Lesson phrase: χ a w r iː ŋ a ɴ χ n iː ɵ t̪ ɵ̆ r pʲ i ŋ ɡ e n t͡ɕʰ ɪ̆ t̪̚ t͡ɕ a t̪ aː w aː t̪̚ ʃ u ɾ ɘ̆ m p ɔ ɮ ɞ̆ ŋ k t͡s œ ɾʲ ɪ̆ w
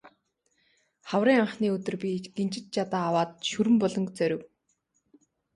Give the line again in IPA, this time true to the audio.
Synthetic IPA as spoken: χ a w r iː ŋ a ɴ χ n iː ɵ t̪ ɵ̆ r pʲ i ɡ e n t͡ɕ ɪ̆ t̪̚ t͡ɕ a t̪ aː w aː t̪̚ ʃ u ɾ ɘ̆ m p ɔ ɮ ɞ̆ ŋ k t͡s œ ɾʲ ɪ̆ w